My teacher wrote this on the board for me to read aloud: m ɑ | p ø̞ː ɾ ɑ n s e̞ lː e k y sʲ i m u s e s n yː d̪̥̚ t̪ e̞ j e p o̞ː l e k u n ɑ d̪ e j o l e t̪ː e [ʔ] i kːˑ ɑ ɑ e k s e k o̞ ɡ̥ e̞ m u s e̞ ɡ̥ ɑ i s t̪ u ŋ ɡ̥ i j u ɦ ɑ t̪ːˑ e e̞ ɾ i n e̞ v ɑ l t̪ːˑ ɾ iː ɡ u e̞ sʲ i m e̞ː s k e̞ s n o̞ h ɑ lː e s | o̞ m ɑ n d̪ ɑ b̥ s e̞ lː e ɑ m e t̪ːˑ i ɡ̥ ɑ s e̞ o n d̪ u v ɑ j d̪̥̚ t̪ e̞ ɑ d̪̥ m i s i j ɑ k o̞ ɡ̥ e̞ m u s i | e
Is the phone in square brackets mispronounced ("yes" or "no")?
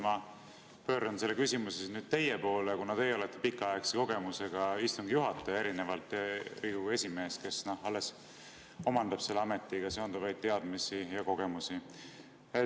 yes